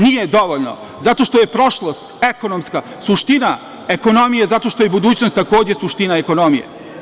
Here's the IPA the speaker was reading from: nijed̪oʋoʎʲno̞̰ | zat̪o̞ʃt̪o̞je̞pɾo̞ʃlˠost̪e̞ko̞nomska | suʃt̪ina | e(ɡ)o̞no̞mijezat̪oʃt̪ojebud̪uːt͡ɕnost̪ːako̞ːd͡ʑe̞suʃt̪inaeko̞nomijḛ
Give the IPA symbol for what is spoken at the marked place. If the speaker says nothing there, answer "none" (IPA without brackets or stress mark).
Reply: k